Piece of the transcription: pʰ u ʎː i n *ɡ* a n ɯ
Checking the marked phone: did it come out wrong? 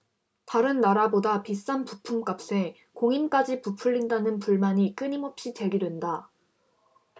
yes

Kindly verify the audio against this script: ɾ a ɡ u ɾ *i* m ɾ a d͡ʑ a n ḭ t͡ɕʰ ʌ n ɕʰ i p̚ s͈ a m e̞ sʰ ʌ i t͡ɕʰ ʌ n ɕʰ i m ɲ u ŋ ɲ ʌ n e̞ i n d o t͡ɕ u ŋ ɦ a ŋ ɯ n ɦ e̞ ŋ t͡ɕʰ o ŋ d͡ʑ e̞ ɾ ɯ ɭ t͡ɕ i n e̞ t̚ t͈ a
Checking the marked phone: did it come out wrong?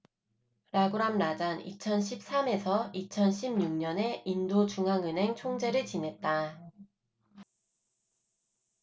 yes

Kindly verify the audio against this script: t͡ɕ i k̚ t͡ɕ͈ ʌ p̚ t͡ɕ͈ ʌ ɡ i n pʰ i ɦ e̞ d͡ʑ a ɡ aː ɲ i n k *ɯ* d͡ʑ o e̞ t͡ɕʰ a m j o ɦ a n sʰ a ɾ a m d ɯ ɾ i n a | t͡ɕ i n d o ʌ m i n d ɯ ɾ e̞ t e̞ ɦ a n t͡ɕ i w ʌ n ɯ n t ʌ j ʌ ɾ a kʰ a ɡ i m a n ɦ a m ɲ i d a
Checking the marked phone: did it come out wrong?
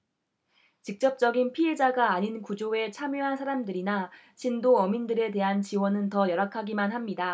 yes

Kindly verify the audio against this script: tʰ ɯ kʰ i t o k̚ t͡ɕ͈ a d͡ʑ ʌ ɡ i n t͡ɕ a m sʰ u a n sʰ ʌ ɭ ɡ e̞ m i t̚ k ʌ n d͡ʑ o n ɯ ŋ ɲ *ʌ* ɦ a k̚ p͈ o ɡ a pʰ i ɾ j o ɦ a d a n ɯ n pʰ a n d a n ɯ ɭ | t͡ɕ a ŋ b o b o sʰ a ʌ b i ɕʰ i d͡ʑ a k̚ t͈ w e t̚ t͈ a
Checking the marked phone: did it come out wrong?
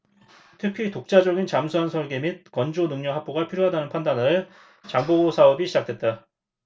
no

